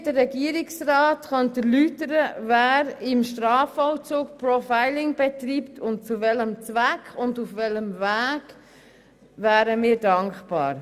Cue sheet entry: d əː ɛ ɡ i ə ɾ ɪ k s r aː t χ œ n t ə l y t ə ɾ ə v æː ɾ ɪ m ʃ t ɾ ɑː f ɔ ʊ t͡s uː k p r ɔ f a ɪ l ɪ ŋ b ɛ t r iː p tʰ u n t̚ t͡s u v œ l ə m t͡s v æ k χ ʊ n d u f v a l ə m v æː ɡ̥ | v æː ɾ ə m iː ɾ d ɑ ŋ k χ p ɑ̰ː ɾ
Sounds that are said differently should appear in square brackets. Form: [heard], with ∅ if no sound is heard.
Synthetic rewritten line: d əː ɛ ɡ i ə ɾ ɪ k s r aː t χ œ n t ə l y t ə ɾ ə v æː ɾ ɪ m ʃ t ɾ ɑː f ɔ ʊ t͡s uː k p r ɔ f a ɪ l ɪ ŋ b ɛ t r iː p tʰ [ʊ] n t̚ t͡s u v [ɛ] l ə m t͡s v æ k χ ʊ n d u f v [ɛ] l ə m v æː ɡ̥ | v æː ɾ ə m iː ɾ d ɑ ŋ k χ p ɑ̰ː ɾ